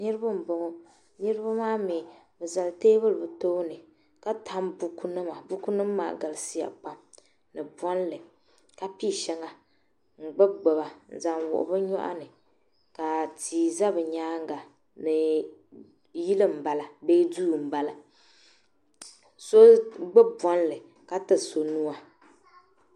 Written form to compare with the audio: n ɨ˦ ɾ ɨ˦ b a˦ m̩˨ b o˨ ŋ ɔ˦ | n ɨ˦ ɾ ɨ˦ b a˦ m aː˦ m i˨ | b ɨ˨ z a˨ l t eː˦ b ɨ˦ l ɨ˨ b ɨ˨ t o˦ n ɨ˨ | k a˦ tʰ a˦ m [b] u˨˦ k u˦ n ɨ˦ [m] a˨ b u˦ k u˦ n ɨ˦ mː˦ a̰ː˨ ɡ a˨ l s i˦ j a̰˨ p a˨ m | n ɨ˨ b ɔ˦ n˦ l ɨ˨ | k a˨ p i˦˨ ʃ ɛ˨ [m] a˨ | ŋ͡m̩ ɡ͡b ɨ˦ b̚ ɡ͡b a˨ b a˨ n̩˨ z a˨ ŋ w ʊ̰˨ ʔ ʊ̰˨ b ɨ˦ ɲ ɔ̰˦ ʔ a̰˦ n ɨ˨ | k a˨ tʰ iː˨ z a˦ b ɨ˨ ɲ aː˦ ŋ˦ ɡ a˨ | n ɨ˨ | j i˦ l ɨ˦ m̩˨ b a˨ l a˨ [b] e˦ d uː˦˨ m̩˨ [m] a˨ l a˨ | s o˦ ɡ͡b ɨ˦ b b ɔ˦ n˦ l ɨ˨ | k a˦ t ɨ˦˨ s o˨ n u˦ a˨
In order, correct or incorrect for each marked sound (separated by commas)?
correct, correct, incorrect, correct, incorrect